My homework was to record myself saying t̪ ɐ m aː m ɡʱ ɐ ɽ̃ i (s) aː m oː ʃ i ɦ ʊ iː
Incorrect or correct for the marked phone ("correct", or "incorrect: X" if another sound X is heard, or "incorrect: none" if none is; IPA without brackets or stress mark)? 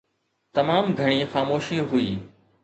incorrect: x